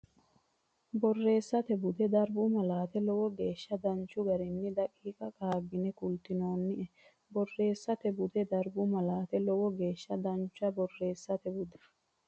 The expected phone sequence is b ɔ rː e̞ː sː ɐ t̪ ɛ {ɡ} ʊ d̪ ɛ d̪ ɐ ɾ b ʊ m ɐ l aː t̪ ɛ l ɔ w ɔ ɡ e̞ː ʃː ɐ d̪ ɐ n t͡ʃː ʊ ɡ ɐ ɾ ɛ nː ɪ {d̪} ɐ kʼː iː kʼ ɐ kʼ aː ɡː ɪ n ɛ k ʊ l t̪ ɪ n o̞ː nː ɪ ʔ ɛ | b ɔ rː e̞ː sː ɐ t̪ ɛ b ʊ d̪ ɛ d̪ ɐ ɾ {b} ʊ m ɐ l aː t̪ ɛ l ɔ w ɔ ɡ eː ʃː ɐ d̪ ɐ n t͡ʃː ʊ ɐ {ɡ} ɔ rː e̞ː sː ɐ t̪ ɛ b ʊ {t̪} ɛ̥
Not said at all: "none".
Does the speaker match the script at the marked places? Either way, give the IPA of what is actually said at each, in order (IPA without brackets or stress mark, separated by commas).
b, d̪, b, b, d̪